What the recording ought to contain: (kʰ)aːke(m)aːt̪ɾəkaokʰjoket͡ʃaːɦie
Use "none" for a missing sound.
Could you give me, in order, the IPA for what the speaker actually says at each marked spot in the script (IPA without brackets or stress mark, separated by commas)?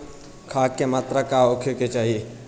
kʰ, m